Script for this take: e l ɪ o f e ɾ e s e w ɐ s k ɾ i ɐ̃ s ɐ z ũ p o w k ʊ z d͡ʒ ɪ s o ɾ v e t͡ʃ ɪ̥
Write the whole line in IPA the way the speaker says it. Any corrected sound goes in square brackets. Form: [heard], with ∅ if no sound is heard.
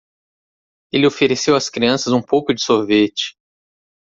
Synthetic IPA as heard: e l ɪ o f e ɾ e s e w ɐ s k ɾ i ɐ̃ s ɐ z ũ p o w k ʊ [∅] d͡ʒ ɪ s o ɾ v e t͡ʃ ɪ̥

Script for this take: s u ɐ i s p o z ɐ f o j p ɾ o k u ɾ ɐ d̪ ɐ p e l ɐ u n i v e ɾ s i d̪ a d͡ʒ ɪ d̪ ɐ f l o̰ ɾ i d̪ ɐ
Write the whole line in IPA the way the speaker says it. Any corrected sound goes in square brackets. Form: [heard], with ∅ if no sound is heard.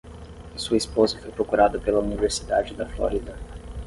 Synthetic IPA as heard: s u ɐ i s p o z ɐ f o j p ɾ o k u ɾ [a] d̪ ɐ p e l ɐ u n i v e ɾ s i d̪ a d͡ʒ ɪ d̪ ɐ f l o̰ ɾ i d̪ ɐ

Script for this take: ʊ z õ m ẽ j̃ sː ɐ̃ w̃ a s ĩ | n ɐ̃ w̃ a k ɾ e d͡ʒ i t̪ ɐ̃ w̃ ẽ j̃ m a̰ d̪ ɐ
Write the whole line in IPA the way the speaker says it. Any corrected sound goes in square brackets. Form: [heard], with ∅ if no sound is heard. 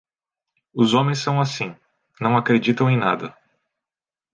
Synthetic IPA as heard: ʊ z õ m ẽ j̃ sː ɐ̃ w̃ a s ĩ | n ɐ̃ w̃ a k ɾ e d͡ʒ i t̪ ɐ̃ w̃ ẽ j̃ [n] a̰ d̪ ɐ

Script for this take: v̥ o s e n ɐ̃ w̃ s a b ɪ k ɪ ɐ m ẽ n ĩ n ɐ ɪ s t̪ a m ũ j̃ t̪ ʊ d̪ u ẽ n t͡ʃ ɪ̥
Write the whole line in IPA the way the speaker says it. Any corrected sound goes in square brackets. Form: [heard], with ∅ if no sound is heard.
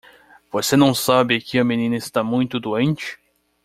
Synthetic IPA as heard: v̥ o s e n ɐ̃ w̃ s a b ɪ k ɪ ɐ m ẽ n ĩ n ɐ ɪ s t̪ a m ũ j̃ t̪ ʊ d̪ u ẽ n t͡ʃ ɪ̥

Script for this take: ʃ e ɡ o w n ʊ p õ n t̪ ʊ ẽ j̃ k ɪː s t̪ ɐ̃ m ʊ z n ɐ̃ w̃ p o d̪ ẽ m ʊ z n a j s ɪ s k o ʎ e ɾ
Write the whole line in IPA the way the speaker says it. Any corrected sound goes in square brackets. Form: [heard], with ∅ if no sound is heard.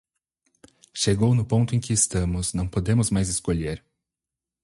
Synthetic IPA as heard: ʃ e ɡ o w n ʊ p õ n t̪ ʊ ẽ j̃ k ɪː s t̪ ɐ̃ m ʊ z n ɐ̃ w̃ p o d̪ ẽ m ʊ z [m] a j [z] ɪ s k o ʎ e ɾ

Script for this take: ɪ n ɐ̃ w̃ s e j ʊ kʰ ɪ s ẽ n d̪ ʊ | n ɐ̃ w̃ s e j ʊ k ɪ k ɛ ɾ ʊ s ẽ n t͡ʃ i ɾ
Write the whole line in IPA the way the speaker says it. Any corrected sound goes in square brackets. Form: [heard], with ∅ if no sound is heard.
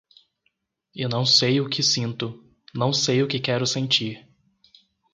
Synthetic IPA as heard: ɪ n ɐ̃ w̃ s e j ʊ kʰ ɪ s [ĩ] n [t̪] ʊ | n ɐ̃ w̃ s e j ʊ k ɪ k ɛ ɾ ʊ s ẽ n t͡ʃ i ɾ

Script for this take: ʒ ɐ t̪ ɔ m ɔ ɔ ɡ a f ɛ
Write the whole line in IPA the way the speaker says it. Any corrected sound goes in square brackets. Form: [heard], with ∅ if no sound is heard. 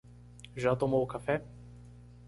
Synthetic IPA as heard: ʒ [a] t̪ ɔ m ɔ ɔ [k] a f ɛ

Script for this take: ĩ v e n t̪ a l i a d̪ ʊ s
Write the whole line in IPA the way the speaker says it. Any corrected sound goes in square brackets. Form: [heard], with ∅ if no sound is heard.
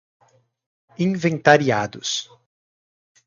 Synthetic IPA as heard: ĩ v [ẽ] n t̪ a [ɾ] i a d̪ ʊ s

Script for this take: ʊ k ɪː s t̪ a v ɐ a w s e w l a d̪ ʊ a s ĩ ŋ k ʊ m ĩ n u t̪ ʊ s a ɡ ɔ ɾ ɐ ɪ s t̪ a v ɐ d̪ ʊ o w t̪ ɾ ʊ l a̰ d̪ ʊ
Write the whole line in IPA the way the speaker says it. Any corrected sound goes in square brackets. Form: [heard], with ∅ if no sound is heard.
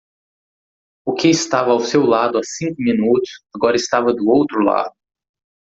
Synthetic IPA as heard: ʊ k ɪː s t̪ a v ɐ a w s e w l a d̪ ʊ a s ĩ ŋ k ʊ m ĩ n u t̪ ʊ s a ɡ ɔ ɾ ɐ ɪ s t̪ a v ɐ d̪ ʊ o w t̪ ɾ ʊ l a̰ d̪ ʊ

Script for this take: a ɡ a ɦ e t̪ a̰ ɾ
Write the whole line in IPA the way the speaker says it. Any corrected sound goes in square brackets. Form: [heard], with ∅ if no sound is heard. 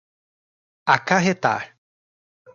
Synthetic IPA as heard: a [k] a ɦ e t̪ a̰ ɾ

